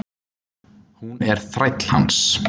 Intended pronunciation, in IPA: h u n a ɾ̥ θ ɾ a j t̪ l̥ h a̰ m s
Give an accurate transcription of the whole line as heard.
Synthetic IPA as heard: h u n ɛ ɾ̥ θ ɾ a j t̪ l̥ h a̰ n s